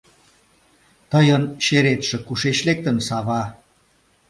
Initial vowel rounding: unrounded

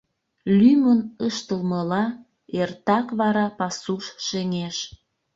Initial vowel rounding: rounded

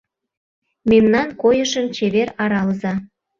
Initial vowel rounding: unrounded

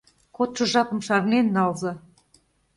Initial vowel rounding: rounded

